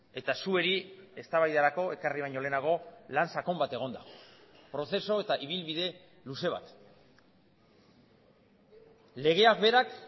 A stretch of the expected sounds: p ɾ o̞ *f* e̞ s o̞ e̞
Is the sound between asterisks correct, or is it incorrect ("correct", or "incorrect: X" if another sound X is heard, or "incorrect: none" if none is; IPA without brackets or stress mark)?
incorrect: θ